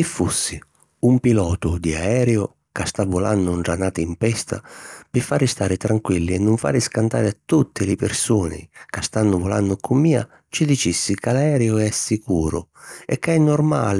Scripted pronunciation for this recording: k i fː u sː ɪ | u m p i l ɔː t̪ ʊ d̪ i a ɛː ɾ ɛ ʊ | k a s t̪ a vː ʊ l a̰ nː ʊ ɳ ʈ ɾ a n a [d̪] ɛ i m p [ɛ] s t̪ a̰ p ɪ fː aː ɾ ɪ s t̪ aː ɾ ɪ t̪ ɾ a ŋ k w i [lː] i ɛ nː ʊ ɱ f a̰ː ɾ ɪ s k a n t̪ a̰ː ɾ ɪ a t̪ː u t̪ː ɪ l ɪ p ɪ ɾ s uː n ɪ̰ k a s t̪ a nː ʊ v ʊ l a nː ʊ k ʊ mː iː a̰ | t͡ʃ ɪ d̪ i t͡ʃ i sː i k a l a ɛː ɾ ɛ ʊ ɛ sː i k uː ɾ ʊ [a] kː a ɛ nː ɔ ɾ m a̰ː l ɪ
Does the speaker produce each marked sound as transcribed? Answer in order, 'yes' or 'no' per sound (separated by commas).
no, yes, yes, no